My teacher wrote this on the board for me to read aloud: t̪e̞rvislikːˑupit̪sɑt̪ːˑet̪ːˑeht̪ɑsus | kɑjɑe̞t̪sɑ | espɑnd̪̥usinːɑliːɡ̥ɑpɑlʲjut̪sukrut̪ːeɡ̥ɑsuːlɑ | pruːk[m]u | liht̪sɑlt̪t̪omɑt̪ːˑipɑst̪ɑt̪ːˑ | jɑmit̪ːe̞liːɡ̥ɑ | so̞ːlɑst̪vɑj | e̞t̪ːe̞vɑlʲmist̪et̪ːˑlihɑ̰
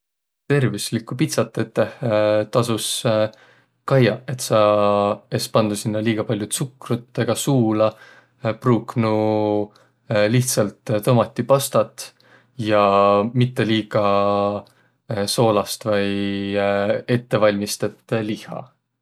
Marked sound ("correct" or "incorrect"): incorrect